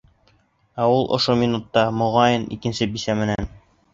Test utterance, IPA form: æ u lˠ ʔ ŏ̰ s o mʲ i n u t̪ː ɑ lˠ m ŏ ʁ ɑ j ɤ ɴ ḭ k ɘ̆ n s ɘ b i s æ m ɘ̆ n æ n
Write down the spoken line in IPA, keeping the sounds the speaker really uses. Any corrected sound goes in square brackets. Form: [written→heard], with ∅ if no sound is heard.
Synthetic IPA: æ u lˠ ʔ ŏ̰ [s→ʃ] o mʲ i n u t̪ː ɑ [lˠ→∅] m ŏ ʁ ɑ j ɤ [ɴ→n] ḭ k ɘ̆ n s ɘ b i s æ m ɘ̆ n æ n